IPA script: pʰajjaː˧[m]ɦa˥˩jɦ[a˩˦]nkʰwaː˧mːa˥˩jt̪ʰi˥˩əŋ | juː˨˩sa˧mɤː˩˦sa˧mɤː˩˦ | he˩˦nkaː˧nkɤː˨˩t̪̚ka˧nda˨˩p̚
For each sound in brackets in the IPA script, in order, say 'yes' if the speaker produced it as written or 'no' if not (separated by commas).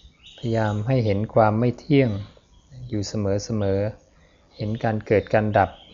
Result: yes, no